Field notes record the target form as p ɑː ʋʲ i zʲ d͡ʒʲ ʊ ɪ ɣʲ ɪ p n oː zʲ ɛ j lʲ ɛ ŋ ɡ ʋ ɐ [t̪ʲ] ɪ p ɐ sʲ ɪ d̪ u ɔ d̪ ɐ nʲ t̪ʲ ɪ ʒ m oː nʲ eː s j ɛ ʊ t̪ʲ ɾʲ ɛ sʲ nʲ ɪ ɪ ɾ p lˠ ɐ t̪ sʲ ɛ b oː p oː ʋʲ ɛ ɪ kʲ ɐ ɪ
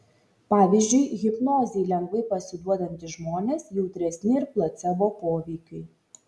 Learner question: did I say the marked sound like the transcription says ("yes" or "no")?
no